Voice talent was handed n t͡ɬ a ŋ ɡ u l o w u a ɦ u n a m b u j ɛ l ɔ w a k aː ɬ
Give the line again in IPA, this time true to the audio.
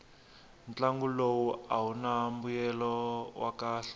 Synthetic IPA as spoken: n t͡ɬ a ŋ ɡ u l o w u a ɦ u n a m b u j ɛ l ɔ w a k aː ɬ